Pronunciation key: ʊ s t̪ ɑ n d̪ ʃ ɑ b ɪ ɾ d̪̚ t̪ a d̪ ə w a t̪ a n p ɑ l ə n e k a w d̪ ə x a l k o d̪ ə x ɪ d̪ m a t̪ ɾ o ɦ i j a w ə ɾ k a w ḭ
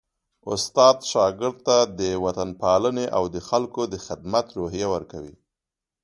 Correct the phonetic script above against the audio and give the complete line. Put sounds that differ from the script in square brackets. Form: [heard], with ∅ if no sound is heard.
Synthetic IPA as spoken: ʊ s t̪ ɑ [∅] d̪ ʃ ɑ [ɡ] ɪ ɾ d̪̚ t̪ a d̪ ə w a t̪ a n p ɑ l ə n e [ʔ] a w d̪ ə x a l k o d̪ ə x ɪ d̪ m a t̪ ɾ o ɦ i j a w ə ɾ k a w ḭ